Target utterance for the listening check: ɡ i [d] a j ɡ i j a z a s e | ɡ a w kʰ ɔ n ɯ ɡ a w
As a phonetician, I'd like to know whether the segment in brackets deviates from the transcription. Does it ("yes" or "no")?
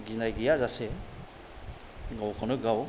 yes